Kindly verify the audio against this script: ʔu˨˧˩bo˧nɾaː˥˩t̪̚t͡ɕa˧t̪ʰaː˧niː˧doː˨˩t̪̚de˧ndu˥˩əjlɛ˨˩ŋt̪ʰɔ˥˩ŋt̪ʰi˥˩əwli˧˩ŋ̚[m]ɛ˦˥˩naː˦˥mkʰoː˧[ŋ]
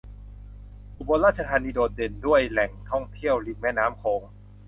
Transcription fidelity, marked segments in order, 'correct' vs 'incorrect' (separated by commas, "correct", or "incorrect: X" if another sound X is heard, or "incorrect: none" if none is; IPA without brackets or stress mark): correct, correct